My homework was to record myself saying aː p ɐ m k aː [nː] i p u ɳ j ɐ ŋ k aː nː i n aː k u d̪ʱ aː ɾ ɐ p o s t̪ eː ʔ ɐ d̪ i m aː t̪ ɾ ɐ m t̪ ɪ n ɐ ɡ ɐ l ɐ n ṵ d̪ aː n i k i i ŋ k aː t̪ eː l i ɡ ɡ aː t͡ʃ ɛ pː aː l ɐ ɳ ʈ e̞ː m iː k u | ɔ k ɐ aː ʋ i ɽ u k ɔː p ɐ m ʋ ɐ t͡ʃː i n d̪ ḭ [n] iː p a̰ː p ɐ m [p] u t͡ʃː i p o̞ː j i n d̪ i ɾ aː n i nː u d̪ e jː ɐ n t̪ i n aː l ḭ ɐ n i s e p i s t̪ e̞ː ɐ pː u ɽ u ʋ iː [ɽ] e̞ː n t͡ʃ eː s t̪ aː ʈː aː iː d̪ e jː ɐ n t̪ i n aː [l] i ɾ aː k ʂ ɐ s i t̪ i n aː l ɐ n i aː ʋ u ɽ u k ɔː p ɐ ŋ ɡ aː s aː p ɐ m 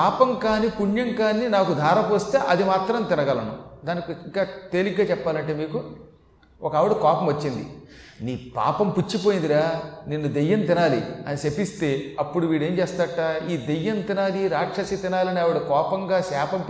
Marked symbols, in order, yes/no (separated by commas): no, yes, yes, yes, yes